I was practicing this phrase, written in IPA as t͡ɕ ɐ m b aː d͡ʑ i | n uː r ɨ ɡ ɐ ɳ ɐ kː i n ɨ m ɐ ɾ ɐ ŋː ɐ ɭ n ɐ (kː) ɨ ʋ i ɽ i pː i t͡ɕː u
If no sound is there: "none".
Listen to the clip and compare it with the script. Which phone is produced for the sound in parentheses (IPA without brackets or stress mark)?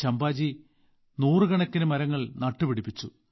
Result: ʈː